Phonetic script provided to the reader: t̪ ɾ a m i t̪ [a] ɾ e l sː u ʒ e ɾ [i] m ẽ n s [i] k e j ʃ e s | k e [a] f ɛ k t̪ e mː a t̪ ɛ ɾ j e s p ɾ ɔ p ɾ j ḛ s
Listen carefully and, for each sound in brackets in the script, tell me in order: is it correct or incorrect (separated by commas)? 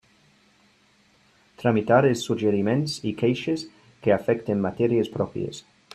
correct, correct, correct, correct